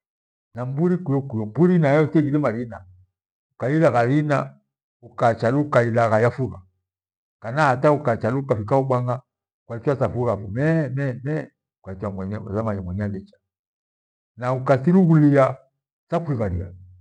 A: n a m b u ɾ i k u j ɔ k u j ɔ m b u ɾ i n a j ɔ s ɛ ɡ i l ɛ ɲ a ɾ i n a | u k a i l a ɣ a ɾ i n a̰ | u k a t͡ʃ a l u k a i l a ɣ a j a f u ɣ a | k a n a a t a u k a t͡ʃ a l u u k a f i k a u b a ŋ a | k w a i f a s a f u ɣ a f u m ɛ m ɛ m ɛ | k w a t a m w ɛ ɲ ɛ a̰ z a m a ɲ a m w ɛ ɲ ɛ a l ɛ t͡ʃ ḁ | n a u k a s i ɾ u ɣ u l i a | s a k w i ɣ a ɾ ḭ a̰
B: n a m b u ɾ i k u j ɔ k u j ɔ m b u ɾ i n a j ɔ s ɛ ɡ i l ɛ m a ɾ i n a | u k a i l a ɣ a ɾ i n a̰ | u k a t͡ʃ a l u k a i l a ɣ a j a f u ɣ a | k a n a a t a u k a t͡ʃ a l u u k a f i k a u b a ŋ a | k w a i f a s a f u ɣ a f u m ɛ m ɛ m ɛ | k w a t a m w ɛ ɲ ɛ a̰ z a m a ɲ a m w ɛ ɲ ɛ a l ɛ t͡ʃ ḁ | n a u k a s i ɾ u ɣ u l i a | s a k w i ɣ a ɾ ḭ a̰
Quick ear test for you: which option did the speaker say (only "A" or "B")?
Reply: B